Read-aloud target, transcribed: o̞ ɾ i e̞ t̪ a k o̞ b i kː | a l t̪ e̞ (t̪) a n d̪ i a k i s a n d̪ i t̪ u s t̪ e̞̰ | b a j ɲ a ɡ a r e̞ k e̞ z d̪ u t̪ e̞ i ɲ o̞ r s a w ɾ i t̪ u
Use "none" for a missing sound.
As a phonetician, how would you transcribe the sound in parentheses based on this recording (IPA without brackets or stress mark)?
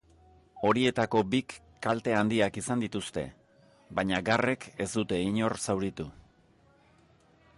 none